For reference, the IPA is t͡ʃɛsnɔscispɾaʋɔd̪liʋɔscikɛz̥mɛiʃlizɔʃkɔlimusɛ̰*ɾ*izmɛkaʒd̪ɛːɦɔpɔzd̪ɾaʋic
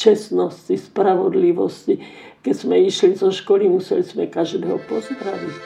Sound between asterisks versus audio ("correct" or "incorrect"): incorrect